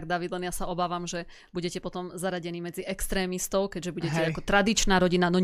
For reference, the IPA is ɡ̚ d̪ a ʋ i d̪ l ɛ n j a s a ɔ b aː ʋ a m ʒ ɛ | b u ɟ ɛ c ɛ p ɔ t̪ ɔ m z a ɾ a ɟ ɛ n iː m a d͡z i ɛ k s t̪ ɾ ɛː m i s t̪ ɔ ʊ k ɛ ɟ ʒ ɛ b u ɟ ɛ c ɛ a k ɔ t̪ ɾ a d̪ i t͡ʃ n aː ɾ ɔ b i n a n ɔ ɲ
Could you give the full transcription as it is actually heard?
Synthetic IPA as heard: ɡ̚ d̪ a ʋ i d̪ l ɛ n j a s a ɔ b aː ʋ a m ʒ ɛ | b u ɟ ɛ c ɛ p ɔ t̪ ɔ m z a ɾ a ɟ ɛ n iː m ɛ d͡z i ɛ k s t̪ ɾ ɛː m i s t̪ ɔ ʊ k ɛ ɟ ʒ ɛ b u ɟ ɛ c ɛ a k ɔ t̪ ɾ a d̪ i t͡ʃ n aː ɾ ɔ ɟ i n a n ɔ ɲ